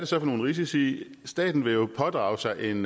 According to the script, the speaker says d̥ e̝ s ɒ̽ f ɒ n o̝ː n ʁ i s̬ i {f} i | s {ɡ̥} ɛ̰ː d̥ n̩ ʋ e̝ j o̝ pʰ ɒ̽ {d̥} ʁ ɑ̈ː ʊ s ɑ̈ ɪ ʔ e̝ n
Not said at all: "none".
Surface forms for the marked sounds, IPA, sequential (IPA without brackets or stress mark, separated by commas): s, d̥, d̥